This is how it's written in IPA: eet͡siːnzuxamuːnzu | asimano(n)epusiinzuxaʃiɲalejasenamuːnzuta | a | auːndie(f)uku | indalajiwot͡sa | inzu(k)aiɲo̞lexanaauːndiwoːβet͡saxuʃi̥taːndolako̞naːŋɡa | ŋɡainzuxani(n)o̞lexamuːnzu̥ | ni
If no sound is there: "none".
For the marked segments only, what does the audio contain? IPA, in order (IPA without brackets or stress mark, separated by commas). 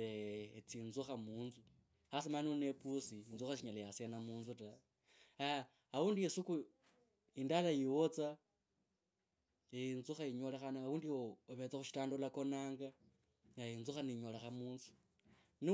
n, s, x, ɲ